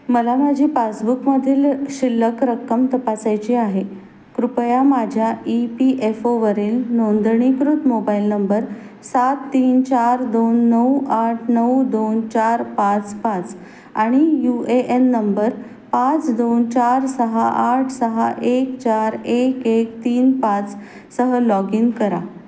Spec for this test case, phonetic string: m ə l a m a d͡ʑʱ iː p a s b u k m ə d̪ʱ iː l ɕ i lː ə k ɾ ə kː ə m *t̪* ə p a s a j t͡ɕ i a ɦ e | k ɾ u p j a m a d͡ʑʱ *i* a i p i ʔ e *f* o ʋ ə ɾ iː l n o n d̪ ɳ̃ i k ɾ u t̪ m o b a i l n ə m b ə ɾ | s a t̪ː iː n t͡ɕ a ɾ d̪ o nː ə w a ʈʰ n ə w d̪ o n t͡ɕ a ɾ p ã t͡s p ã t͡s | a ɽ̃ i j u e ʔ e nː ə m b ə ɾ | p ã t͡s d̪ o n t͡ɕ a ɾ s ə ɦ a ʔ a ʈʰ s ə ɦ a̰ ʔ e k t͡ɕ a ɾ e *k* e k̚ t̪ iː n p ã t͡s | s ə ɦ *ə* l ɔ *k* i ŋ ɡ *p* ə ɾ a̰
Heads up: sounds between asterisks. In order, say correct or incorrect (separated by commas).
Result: correct, incorrect, correct, correct, correct, incorrect, incorrect